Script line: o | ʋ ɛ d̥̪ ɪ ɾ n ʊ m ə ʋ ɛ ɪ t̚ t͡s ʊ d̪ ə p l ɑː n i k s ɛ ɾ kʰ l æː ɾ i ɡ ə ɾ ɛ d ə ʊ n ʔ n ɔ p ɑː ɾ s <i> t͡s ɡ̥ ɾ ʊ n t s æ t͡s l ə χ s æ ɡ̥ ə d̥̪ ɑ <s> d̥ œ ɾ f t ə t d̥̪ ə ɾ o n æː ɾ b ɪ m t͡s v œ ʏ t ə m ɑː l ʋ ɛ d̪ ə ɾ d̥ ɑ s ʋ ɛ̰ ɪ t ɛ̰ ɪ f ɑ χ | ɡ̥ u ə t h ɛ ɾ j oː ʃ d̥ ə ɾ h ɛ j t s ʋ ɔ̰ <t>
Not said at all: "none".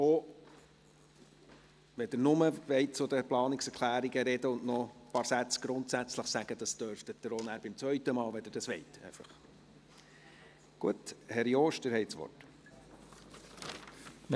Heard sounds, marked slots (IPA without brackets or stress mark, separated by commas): æ, s, t